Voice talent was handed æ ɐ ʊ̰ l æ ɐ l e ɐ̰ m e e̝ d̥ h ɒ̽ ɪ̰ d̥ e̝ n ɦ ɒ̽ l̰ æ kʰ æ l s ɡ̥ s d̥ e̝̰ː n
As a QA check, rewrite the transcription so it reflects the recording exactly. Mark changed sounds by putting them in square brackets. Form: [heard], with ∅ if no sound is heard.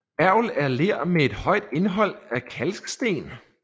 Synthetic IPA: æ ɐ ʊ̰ l æ ɐ l e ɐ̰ m e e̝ d̥ h ɒ̽ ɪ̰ d̥ e̝ n ɦ ɒ̽ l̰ æ kʰ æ l s ɡ̥ s d̥ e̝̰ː n